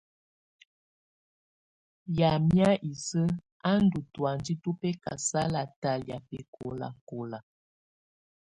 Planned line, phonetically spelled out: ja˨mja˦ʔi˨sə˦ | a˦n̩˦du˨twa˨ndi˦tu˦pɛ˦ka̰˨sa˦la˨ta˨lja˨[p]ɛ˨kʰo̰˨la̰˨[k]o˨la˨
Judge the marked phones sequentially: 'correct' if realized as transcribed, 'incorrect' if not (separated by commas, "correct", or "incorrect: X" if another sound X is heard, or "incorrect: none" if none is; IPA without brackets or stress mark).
correct, correct